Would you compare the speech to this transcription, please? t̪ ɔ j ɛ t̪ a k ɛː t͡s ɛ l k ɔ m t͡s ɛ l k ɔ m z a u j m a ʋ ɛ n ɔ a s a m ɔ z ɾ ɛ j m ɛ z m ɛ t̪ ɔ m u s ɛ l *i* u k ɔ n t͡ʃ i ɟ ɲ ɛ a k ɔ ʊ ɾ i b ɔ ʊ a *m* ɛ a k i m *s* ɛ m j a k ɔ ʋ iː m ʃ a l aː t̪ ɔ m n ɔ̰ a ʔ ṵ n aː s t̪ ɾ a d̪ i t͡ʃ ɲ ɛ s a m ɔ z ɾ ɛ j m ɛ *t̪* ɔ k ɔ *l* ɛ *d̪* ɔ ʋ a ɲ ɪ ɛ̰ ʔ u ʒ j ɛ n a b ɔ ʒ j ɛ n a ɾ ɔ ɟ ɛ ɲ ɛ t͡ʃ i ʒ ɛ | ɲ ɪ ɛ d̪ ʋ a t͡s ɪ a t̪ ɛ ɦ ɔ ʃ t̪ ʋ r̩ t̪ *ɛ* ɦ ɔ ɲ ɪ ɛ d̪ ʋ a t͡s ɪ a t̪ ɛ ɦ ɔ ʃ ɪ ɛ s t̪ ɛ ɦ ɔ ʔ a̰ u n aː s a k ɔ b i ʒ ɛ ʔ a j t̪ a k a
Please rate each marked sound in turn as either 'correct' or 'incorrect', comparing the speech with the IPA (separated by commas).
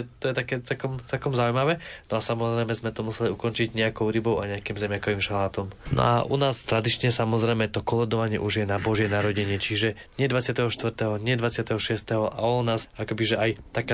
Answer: correct, incorrect, incorrect, correct, correct, correct, correct